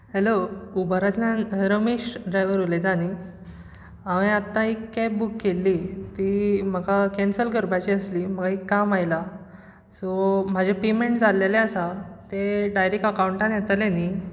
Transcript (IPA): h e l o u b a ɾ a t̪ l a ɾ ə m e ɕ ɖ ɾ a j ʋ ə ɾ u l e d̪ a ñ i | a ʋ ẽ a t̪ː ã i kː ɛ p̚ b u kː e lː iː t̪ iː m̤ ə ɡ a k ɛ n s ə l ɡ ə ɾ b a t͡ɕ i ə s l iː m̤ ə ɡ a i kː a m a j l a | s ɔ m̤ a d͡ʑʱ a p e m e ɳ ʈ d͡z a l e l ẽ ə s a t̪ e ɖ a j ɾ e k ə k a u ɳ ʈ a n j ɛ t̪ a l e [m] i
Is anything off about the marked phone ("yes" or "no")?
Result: yes